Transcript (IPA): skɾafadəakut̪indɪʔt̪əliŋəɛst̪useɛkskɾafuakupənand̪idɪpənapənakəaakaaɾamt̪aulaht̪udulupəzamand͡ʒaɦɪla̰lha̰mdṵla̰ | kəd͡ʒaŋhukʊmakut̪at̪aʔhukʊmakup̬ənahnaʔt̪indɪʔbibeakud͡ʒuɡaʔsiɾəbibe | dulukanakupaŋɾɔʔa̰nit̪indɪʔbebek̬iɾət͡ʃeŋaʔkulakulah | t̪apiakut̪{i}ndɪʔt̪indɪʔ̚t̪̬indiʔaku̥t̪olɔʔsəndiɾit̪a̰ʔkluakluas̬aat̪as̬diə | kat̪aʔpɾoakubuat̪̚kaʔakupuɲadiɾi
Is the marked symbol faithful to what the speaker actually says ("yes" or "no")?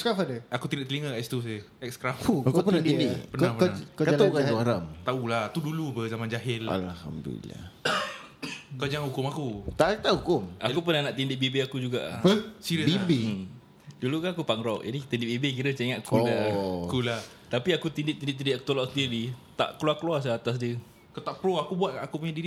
yes